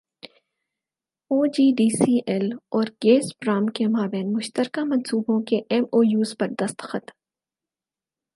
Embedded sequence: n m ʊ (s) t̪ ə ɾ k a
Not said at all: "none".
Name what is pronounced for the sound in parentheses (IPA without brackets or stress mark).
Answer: ʃ